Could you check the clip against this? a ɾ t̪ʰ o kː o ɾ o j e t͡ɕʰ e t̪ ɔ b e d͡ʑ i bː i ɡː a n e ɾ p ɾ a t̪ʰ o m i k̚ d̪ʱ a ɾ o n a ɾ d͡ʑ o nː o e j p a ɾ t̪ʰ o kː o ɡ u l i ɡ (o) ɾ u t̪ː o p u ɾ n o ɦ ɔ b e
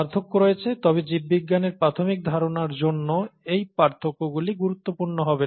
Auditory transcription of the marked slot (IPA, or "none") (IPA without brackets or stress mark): u